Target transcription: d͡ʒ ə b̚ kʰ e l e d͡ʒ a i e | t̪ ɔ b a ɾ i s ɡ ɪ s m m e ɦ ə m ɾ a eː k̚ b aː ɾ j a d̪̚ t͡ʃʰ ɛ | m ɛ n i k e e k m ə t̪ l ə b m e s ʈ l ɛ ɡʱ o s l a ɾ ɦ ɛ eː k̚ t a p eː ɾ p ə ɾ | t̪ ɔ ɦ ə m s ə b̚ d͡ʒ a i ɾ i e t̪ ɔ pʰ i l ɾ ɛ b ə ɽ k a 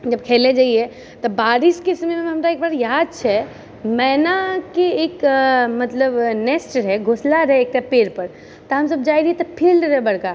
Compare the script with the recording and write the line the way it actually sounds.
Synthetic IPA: d͡ʒ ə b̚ kʰ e l e d͡ʒ a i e | t̪ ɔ b a ɾ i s k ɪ s m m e ɦ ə m ɾ a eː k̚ b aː ɾ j a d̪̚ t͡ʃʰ ɛ | m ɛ n a k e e k m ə t̪ l ə b n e s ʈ ɾ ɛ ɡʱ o s l a ɾ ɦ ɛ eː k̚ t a p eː ɾ p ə ɾ | t̪ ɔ ɦ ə m s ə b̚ d͡ʒ a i ɾ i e t̪ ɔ pʰ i l ɾ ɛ b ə ɽ k a